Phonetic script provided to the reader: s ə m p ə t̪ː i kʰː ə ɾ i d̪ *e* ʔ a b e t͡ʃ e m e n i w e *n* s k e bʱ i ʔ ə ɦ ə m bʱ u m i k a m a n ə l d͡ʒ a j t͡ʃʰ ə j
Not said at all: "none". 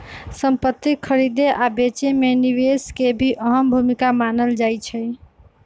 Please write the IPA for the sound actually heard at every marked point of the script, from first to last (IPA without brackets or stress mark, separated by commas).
e, none